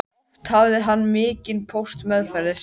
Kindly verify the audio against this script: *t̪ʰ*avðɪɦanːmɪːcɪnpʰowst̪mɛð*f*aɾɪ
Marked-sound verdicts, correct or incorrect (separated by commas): correct, correct